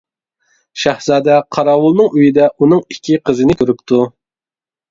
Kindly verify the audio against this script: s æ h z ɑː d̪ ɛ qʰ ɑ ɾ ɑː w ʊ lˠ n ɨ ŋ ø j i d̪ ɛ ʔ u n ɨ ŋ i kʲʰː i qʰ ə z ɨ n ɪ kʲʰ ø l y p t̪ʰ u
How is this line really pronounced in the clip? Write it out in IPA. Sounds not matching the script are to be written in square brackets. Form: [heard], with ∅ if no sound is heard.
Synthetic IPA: [ʃ] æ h z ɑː d̪ ɛ qʰ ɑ ɾ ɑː w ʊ lˠ n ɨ ŋ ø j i d̪ ɛ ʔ u n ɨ ŋ i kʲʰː i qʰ ə z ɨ n ɪ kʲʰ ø [ɾ] y p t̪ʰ u

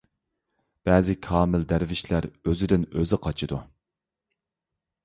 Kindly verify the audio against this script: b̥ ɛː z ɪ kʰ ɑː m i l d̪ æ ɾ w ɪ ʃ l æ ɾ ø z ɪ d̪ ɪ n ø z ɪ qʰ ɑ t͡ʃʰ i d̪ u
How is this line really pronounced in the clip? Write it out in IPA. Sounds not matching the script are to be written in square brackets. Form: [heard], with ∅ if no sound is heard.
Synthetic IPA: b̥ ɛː z ɪ kʰ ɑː m [ɪ] l d̪ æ ɾ [v] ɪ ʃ l æ ɾ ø z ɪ d̪ ɪ n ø z ɪ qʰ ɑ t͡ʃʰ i d̪ u

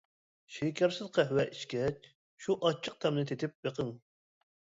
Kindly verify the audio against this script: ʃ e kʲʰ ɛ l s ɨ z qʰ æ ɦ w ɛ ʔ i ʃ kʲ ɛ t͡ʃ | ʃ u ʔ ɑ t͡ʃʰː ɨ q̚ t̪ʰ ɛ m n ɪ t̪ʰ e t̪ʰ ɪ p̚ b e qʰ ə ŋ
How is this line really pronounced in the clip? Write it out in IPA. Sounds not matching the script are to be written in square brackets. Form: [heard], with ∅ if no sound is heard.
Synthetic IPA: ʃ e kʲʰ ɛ [ɾ] s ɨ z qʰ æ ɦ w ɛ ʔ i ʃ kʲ ɛ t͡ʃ | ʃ u ʔ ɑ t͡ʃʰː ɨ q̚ t̪ʰ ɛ m n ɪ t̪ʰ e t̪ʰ ɪ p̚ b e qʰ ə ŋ

